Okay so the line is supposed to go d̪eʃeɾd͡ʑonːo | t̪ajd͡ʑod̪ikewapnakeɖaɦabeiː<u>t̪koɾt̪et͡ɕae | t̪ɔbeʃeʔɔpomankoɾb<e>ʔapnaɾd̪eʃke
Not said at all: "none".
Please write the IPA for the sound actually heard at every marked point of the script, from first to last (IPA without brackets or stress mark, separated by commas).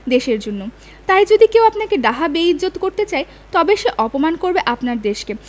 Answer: o, e